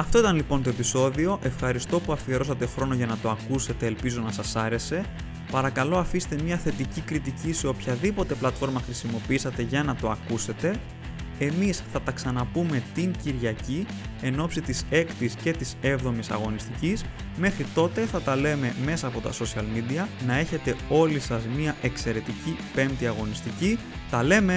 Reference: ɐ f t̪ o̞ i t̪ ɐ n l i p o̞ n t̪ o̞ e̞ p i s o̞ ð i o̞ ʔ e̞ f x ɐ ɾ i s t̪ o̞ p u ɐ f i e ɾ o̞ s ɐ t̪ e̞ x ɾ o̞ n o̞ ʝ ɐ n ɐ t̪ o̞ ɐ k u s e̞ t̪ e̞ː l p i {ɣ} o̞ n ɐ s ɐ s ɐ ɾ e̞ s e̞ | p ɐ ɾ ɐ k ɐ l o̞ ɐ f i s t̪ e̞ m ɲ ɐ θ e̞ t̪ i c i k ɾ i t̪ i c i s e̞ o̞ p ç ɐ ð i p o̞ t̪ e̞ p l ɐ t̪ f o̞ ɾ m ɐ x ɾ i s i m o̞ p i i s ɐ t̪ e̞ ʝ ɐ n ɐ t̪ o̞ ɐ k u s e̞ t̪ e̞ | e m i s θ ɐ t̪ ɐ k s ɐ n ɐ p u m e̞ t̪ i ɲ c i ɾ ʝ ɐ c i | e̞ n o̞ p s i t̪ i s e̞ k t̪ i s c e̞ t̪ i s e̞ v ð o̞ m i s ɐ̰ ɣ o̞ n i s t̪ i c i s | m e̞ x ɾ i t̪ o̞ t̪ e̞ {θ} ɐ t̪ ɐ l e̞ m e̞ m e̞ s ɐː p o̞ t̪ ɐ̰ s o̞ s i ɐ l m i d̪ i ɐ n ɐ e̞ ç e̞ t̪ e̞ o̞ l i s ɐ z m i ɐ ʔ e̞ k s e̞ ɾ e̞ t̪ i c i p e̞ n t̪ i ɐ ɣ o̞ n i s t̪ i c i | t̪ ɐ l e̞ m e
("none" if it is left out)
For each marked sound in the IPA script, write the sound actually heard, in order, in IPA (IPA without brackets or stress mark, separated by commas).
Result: z, θ